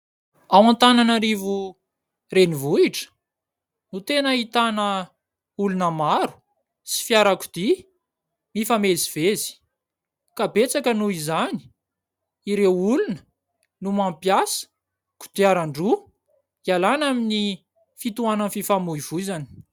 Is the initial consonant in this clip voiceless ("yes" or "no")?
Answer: no